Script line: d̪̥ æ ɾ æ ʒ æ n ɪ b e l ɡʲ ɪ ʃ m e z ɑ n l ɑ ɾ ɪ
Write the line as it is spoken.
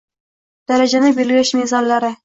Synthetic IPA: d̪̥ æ ɾ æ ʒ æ n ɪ b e l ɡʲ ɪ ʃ m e z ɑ n l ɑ ɾ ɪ

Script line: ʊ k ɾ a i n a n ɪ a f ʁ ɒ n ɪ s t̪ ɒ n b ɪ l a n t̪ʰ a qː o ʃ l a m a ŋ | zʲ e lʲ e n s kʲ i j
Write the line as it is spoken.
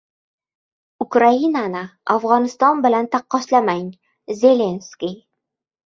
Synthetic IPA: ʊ k ɾ a i n a n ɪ a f ʁ ɒ n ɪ s t̪ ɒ n b ɪ l a n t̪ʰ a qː ɒ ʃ l a m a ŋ | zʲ e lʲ e n s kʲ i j

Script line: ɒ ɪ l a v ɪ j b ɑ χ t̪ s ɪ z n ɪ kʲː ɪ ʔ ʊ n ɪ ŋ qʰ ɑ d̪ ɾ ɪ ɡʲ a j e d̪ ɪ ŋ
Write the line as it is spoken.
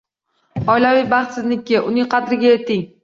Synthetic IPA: ɒ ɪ l a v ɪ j b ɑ χ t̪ s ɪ z n ɪ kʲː ɪ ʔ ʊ n ɪ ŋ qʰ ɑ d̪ ɾ ɪ ɡʲ a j e t̪ ɪ ŋ

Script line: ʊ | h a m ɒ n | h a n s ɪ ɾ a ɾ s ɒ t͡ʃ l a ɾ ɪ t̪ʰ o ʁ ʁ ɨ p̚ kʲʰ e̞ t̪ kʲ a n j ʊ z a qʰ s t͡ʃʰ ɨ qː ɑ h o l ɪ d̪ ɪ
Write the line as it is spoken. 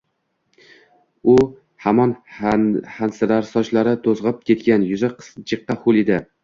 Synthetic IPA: ʊ | h a m ɒ n | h a n s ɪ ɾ a ɾ s ɒ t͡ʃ l a ɾ ɪ t̪ʰ o z ʁ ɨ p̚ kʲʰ e̞ t̪ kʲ a n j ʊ z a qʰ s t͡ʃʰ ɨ qː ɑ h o l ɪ d̪ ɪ

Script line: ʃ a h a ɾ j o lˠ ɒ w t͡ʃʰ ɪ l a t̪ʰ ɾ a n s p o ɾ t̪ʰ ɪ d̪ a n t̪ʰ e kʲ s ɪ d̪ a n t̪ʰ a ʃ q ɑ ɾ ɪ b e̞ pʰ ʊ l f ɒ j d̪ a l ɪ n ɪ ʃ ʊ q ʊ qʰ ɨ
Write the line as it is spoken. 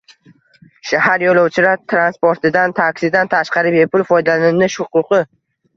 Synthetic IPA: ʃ a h a ɾ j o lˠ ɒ w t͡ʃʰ ɪ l a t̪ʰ ɾ a n s p o ɾ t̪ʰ ɪ d̪ a n t̪ʰ a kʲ s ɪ d̪ a n t̪ʰ a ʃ q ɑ ɾ ɪ b e̞ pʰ ʊ l f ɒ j d̪ a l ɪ n ɪ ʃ ʊ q ʊ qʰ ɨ

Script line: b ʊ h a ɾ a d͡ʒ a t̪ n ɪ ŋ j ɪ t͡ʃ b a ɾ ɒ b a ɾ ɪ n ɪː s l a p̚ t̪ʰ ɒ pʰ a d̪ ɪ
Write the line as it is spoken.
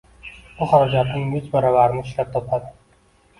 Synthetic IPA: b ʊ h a ɾ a d͡ʒ a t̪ n ɪ ŋ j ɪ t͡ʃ b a ɾ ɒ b a ɾ ɪ n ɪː ʃ l a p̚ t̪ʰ ɒ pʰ a d̪ ɪ

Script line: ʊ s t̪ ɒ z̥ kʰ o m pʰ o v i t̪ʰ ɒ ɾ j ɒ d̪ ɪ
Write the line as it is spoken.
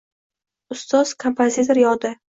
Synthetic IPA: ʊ s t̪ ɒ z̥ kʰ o m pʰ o z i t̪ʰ o ɾ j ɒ d̪ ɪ

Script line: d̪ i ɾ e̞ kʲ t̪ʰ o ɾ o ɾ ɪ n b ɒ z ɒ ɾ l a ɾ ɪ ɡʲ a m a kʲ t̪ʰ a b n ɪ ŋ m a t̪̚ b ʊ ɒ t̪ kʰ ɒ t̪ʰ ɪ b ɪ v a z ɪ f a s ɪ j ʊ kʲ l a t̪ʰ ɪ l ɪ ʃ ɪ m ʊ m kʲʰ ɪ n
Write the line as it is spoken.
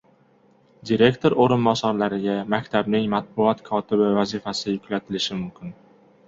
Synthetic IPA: d̪ i ɾ e̞ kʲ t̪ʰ o ɾ o ɾ ɪ n b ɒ s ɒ ɾ l a ɾ ɪ ɡʲ a m a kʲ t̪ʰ a b n ɪ ŋ m a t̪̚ b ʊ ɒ t̪ kʰ ɒ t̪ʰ ɪ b ɪ v a z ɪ f a s ɪ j ʊ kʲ l a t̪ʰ ɪ l ɪ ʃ ɪ m ʊ m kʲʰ ɪ n

